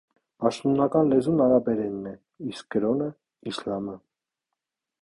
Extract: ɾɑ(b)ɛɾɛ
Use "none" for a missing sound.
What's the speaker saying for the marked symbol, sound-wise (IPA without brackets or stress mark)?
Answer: b